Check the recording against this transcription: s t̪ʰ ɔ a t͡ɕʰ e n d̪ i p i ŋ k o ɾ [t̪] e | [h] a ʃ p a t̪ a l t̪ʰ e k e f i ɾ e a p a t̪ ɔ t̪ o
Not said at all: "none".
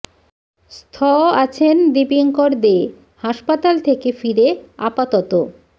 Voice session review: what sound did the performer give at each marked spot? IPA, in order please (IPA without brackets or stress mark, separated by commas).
d̪, h